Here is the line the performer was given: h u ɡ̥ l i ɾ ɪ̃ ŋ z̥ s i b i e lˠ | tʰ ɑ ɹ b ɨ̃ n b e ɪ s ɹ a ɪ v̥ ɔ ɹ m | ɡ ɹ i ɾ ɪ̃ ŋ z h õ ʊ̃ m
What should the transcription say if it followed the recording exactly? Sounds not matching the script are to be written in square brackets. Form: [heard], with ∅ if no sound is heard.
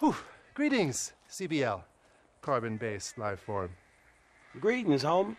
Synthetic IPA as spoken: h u ɡ̥ [ɹ] i ɾ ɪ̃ ŋ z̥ s i b i [ɛ] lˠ | [kʰ] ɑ ɹ b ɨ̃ n b e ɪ s [l] a ɪ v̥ ɔ ɹ m | ɡ ɹ i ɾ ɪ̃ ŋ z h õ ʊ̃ m